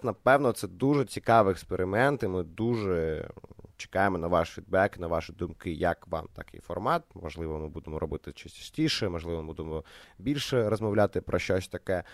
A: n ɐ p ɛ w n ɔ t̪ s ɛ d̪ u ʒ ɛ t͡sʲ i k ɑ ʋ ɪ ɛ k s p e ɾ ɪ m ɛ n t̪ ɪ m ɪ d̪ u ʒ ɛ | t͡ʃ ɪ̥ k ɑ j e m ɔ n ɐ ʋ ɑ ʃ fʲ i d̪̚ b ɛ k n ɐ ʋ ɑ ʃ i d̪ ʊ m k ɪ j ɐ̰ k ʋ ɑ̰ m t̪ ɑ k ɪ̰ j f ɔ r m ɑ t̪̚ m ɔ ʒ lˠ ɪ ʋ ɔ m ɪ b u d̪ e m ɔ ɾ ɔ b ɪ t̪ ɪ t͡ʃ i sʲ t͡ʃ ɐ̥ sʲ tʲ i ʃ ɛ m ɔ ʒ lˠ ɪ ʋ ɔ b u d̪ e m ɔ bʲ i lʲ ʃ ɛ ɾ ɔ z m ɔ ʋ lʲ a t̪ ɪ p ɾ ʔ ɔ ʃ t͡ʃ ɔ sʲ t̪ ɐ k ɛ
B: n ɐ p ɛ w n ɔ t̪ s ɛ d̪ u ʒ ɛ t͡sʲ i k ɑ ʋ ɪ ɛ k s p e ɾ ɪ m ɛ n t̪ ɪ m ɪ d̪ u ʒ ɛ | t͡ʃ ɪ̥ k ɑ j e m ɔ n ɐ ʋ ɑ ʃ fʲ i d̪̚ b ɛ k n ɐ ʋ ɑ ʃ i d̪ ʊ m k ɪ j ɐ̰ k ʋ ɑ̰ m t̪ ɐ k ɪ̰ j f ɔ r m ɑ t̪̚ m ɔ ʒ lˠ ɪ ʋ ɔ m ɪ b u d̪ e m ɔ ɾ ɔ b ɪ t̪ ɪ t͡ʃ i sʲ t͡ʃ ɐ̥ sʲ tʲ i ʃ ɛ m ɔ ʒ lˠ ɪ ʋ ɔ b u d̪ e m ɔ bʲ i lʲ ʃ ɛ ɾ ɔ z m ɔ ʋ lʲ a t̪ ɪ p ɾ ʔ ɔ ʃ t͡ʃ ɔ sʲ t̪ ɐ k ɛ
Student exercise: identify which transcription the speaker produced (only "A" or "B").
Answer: B